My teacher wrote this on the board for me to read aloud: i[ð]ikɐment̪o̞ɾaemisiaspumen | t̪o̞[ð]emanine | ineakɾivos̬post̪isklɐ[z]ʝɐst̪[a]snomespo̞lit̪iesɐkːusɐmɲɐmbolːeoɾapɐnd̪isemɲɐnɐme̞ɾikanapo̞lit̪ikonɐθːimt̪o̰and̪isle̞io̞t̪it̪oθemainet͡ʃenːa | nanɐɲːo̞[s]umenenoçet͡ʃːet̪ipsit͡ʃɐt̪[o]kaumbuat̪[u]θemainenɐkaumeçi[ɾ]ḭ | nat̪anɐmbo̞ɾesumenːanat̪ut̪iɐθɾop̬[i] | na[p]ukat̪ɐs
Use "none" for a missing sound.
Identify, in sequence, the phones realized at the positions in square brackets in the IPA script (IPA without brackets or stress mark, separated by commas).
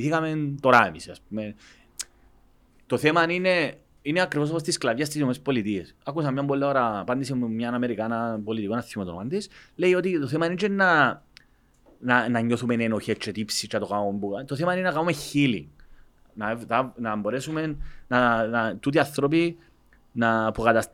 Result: θ, θ, v, i, θ, o, o, l, i, p